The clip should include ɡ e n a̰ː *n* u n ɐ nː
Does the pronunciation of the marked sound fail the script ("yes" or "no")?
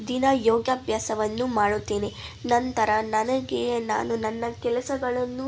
no